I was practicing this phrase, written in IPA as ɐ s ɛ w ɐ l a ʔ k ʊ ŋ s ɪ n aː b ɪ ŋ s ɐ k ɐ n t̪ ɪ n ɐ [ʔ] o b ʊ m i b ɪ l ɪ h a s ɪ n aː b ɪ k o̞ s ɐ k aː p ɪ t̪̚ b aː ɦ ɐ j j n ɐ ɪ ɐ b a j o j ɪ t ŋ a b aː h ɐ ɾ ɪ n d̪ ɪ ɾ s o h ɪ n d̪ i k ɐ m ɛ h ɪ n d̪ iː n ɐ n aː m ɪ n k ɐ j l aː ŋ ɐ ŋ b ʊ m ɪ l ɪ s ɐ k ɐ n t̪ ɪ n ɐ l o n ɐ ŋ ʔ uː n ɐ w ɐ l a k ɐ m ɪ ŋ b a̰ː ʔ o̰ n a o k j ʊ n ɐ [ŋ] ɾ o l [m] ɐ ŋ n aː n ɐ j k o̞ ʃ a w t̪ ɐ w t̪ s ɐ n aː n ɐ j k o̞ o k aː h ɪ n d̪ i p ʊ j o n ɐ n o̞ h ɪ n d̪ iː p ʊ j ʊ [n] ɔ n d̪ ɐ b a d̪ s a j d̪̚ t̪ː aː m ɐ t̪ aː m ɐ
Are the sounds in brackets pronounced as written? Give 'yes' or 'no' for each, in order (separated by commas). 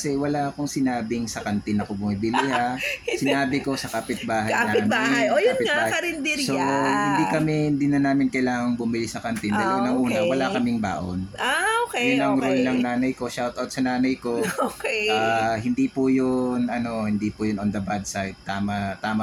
no, yes, no, yes